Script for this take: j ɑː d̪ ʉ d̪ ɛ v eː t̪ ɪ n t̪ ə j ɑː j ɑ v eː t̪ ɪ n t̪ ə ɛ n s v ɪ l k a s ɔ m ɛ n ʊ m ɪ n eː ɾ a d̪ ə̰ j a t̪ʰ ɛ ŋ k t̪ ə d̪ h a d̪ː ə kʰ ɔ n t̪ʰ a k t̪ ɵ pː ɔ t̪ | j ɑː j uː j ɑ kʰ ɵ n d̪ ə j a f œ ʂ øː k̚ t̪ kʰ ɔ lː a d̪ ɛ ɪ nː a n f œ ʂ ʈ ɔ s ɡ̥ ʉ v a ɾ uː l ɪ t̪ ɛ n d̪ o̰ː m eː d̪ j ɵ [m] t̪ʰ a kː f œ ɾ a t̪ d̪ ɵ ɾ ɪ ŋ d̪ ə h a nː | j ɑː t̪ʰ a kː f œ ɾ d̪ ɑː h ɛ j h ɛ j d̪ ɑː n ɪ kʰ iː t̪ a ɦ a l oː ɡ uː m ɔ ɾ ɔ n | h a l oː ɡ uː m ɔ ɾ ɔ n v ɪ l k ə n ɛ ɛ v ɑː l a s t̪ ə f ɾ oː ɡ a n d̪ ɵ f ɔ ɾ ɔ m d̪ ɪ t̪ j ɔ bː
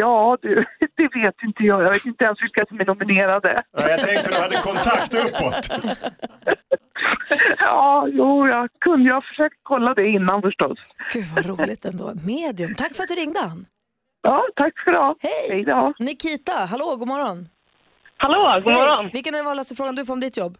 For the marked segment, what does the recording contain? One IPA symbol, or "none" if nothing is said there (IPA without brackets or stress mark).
m